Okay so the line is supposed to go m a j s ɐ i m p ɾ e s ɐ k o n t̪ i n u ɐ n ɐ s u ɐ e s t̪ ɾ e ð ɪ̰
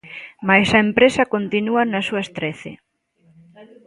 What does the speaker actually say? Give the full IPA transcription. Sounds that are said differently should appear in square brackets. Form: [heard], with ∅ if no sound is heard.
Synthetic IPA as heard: m a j s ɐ [e] m p ɾ e s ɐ k o n t̪ i n u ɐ n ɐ s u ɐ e s t̪ ɾ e [θ] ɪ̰